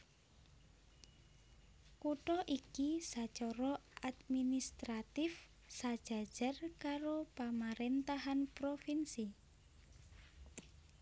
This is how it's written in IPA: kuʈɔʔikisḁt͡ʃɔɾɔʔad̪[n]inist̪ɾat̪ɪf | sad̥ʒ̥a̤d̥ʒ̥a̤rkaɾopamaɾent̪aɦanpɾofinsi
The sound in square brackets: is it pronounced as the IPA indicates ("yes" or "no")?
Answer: no